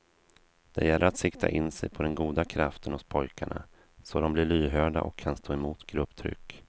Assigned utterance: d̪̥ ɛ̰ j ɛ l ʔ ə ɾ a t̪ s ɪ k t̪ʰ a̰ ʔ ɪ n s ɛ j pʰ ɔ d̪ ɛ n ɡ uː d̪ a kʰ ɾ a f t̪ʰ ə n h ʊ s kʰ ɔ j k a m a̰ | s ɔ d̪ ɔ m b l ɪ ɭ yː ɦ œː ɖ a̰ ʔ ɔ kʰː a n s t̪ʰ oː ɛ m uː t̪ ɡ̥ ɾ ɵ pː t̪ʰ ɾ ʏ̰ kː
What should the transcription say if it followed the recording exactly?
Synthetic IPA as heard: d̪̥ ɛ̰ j ɛ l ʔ ə ɾ a t̪ s ɪ k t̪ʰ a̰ ʔ ɪ n s ɛ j pʰ ɔ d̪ ɛ n ɡ uː d̪ a kʰ ɾ a f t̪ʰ ə n h ʊ s pʰ ɔ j k a ɳ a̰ | s ɔ d̪ ɔ m b l ɪ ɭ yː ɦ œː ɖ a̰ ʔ ɔ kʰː a n s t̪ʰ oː ɛ m uː t̪ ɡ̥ ɾ ɵ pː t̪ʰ ɾ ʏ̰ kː